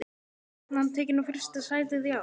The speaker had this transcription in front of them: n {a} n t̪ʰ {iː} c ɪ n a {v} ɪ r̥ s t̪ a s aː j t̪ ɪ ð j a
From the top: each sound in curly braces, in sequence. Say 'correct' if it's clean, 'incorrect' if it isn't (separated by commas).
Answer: correct, incorrect, incorrect